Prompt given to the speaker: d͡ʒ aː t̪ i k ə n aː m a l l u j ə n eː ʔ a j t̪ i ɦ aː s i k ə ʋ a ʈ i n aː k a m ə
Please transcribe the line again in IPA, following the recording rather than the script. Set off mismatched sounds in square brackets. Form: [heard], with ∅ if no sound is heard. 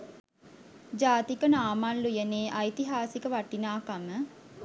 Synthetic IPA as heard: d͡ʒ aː t̪ i k ə n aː m a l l u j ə n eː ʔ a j t̪ i ɦ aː s i k ə ʋ a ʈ i n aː k a m ə